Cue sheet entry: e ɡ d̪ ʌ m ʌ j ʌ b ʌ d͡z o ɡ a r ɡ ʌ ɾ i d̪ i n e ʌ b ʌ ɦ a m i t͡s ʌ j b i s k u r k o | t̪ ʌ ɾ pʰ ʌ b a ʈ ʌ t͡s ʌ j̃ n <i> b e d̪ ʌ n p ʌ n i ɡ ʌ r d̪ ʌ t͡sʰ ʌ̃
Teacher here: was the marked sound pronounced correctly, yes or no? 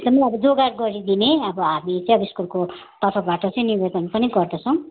yes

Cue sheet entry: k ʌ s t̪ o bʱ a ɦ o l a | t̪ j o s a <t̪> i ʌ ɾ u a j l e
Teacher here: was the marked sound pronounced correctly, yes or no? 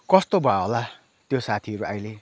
no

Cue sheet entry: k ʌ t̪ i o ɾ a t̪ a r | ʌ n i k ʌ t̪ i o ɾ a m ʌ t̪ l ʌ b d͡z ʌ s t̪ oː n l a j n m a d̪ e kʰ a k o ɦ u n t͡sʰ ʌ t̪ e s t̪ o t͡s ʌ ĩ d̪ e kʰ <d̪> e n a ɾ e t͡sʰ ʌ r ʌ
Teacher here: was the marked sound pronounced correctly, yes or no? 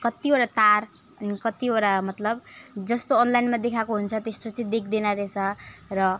yes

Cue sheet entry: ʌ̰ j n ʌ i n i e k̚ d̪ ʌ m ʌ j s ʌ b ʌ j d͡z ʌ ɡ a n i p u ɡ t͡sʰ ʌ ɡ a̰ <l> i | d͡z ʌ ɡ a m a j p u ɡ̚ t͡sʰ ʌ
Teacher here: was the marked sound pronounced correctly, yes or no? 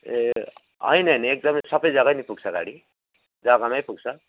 no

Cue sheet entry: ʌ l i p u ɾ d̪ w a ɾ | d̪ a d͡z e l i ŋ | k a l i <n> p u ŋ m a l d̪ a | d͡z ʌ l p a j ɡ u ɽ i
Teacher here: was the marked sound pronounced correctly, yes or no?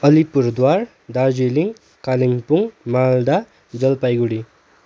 no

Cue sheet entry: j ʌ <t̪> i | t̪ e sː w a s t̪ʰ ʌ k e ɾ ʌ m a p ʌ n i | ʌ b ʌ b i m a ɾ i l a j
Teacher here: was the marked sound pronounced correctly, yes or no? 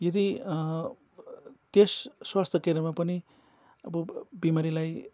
no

